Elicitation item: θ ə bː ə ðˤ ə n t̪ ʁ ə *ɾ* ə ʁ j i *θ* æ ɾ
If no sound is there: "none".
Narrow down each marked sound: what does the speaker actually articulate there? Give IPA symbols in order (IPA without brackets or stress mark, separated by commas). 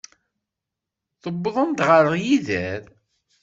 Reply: ɾ, ð